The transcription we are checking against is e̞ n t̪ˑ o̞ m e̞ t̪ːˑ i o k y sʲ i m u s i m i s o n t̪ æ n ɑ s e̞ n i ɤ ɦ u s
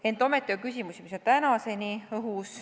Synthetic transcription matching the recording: e̞ n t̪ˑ o̞ m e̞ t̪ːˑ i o k y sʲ i m u s i m i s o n t̪ æ n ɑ s e̞ n i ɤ ɦ u s